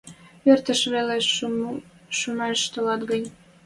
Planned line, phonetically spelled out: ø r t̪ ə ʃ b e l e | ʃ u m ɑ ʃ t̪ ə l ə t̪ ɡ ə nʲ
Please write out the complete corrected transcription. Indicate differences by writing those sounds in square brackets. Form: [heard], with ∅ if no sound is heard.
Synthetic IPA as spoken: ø r t̪ ə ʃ [β] e l e | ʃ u m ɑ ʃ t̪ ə l [ɑ] t̪ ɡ ə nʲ